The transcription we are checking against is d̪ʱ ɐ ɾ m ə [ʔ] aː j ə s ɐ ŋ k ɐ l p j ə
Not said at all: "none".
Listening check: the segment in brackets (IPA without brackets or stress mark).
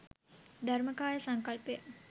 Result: k